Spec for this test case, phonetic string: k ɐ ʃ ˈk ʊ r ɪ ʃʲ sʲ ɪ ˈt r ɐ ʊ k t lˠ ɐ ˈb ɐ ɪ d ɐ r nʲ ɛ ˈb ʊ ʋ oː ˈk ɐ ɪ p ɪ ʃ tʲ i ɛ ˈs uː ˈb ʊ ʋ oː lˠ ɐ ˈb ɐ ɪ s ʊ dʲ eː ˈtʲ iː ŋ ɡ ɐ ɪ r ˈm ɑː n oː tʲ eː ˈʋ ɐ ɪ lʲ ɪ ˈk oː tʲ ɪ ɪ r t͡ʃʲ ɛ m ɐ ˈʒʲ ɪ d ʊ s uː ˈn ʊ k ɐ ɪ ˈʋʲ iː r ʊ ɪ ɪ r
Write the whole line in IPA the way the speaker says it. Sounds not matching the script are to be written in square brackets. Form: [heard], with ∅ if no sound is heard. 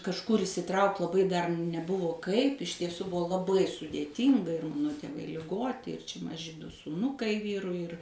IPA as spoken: k ɐ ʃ ˈk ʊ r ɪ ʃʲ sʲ ɪ ˈt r ɐ ʊ k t lˠ ɐ ˈb ɐ ɪ d ɐ r nʲ ɛ ˈb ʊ ʋ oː ˈk ɐ ɪ p ɪ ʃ tʲ i ɛ ˈs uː ˈb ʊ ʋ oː lˠ ɐ ˈb ɐ ɪ s ʊ dʲ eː ˈtʲ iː ŋ ɡ ɐ ɪ r ˈm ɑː n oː tʲ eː ˈʋ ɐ ɪ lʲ ɪ [ˈɡ] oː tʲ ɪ ɪ r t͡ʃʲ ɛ m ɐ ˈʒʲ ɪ d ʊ s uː ˈn ʊ k ɐ ɪ ˈʋʲ iː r ʊ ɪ ɪ r